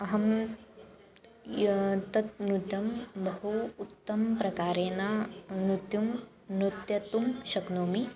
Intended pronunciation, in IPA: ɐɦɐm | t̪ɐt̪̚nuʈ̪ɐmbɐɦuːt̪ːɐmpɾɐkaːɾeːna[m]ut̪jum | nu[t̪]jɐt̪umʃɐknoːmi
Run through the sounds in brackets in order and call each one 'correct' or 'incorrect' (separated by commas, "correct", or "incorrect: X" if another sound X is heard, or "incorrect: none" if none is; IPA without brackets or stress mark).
incorrect: n, correct